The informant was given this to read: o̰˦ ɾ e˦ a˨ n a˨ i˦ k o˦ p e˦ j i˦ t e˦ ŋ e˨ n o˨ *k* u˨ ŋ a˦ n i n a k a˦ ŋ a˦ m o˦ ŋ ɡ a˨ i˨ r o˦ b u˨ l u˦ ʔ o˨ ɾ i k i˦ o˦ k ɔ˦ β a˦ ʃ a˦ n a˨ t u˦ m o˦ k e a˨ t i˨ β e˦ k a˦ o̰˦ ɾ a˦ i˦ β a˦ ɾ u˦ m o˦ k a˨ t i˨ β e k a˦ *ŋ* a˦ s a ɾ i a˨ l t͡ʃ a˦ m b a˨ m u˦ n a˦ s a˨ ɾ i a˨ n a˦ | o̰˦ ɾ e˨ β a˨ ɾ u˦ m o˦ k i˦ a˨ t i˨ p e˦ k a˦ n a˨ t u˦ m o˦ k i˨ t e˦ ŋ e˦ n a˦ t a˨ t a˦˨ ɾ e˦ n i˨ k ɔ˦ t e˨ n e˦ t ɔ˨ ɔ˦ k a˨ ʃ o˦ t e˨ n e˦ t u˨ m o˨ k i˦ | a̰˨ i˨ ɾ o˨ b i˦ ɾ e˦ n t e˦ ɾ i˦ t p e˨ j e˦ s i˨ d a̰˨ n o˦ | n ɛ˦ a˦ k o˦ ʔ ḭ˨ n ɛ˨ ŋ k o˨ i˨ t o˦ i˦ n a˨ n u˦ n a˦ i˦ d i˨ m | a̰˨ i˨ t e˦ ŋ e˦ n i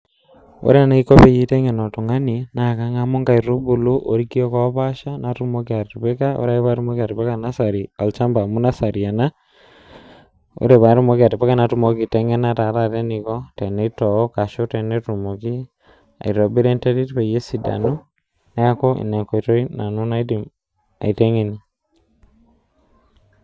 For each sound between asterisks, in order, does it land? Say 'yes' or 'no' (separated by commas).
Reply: no, no